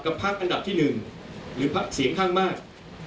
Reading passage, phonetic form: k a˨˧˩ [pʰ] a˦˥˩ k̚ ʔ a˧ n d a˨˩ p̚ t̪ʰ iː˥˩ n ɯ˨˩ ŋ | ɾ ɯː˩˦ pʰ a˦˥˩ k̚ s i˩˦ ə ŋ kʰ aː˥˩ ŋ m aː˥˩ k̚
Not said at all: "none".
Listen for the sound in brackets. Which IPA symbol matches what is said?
pʰ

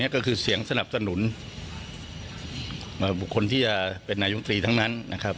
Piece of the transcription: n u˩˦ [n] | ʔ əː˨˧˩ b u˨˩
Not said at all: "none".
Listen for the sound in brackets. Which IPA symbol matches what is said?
n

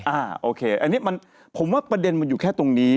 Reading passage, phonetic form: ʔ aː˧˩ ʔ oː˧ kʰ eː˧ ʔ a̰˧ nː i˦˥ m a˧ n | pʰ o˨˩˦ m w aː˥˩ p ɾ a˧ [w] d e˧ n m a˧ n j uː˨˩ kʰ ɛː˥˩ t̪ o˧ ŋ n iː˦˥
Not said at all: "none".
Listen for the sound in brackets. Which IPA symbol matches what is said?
none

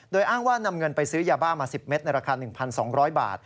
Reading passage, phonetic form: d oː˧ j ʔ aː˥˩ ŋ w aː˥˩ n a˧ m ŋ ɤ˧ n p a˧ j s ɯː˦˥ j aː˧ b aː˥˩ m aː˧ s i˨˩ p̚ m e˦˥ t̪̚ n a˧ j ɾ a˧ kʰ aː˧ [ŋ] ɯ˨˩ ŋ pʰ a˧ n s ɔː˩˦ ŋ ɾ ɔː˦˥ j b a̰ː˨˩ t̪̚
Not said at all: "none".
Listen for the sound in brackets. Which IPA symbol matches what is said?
n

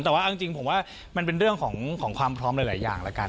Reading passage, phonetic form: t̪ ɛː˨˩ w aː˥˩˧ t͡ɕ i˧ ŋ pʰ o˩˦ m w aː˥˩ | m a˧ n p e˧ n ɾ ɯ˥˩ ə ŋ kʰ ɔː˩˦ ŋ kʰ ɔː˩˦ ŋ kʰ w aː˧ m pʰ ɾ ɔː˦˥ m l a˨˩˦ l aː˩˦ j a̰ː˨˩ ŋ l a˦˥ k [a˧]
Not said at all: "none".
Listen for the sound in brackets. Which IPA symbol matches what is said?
a˧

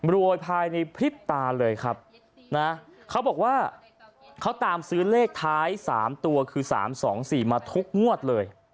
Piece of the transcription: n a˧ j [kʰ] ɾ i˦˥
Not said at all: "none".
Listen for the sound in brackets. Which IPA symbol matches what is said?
pʰ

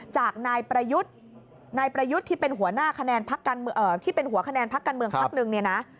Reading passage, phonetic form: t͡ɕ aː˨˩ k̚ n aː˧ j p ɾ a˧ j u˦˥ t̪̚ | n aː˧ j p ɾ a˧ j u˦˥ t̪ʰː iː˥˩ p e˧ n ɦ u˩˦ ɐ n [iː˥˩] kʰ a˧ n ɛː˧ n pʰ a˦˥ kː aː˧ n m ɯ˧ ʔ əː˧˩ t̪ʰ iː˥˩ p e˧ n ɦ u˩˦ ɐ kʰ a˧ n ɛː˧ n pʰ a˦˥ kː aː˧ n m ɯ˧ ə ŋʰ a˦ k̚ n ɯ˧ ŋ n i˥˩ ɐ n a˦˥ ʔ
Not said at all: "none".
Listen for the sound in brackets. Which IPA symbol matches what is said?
aː˥˩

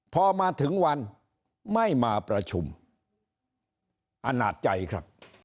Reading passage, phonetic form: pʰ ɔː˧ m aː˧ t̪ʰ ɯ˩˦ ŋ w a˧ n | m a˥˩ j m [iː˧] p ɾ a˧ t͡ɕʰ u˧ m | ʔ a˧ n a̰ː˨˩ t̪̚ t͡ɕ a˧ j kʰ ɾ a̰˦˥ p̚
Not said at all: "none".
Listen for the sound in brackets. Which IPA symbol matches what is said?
aː˧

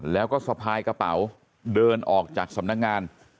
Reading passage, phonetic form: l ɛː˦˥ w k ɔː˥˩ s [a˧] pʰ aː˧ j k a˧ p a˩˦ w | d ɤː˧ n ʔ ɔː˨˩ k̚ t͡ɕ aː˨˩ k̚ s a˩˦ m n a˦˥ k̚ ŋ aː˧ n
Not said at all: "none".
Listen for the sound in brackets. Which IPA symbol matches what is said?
a˧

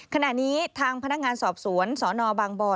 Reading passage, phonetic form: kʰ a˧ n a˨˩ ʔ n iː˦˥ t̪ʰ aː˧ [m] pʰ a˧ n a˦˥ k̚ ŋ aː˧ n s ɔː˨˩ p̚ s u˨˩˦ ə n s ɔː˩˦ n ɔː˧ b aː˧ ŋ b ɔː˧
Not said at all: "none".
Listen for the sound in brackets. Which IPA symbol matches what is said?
ŋ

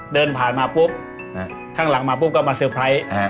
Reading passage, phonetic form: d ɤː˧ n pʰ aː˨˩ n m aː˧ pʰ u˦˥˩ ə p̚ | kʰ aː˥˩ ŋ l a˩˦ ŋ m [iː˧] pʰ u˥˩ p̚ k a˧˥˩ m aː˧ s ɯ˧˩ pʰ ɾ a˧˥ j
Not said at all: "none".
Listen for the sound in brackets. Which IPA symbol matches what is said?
aː˧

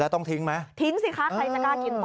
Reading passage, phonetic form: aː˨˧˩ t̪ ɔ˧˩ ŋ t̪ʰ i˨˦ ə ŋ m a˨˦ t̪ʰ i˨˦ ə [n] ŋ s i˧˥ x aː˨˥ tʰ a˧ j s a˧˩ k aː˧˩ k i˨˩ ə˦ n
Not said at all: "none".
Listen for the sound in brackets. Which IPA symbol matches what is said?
none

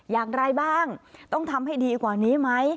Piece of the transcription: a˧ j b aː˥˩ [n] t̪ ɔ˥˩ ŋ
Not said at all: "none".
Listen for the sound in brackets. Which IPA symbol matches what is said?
ŋ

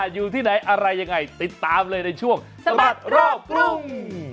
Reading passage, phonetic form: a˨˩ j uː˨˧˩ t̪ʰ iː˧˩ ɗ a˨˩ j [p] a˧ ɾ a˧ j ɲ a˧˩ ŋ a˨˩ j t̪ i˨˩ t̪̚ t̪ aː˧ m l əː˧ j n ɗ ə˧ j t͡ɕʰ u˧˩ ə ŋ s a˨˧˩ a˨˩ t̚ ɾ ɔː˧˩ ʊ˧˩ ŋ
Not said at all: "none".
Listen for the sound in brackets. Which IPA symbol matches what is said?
ʔ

